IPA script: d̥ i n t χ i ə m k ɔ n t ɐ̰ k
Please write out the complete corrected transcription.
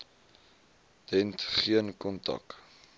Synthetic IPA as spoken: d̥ ɛ n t χ i ə n k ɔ n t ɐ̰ k